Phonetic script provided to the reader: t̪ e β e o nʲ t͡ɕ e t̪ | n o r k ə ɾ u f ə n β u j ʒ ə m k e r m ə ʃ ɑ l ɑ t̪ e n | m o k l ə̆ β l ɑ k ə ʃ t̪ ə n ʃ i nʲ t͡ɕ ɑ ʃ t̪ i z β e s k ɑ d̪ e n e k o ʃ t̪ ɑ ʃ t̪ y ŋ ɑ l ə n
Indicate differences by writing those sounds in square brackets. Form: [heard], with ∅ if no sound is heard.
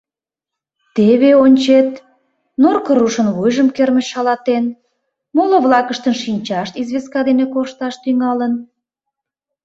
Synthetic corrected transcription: t̪ e β e o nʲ t͡ɕ e t̪ | n o r k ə ɾ u [ʃ] ə n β u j ʒ ə m k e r m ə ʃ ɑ l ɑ t̪ e n | m o [∅] l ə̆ β l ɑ k ə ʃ t̪ ə n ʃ i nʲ t͡ɕ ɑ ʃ t̪ i z β e s k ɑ d̪ e n e k o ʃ t̪ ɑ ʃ t̪ y ŋ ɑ l ə n